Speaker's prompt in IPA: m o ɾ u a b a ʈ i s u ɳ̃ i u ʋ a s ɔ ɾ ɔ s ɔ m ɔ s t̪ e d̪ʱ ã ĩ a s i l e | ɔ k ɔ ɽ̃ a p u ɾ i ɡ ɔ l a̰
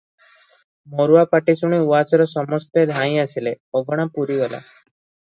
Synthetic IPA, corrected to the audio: m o ɾ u a p a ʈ i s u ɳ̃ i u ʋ a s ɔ ɾ ɔ s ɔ m ɔ s t̪ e d̪ʱ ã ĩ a s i l e | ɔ ɡ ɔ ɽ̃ a p u ɾ i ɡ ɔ l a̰